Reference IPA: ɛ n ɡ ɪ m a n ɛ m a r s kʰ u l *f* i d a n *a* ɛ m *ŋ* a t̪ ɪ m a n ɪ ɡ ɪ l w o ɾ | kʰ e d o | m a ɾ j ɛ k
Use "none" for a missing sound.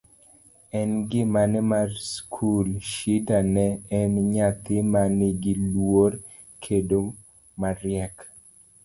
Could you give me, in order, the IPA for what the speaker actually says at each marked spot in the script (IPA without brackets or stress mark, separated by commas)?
ʃ, ɛ, ɲ